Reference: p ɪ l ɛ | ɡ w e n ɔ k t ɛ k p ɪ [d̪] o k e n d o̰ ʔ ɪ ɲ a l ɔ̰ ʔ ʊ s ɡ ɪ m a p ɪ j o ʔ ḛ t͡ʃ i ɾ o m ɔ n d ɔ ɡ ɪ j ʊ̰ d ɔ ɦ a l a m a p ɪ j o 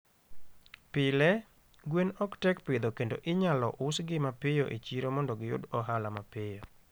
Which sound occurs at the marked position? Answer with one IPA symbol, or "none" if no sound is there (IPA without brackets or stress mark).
d̪